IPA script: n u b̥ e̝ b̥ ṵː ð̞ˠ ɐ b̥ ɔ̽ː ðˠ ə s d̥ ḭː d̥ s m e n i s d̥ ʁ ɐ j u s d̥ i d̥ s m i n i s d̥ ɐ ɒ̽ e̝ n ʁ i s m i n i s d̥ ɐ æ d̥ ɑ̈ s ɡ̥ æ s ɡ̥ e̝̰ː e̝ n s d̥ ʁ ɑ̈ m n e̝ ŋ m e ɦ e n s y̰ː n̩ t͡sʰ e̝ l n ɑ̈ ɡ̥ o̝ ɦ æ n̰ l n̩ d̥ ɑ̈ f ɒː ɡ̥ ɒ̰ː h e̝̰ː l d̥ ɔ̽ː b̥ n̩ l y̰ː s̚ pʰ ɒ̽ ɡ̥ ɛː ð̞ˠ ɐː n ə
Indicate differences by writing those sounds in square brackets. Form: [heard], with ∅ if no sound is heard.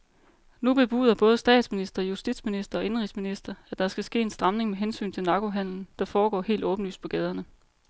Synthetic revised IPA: n u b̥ e̝ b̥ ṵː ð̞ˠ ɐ b̥ ɔ̽ː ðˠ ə s d̥ [ɛ̰ː] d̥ s m [i] n i s d̥ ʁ ɐ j u s d̥ i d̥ s m i n i s d̥ ɐ ɒ̽ e̝ n ʁ i s m i n i s d̥ ɐ æ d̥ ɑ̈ s ɡ̥ æ s ɡ̥ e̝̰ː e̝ n s d̥ ʁ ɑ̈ m n e̝ ŋ m e ɦ e n s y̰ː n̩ t͡sʰ e̝ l n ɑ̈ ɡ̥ o̝ ɦ æ n̰ l n̩ d̥ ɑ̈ f ɒː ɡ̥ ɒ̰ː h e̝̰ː l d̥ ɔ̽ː b̥ n̩ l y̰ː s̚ pʰ ɒ̽ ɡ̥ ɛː ð̞ˠ [ɐ] n ə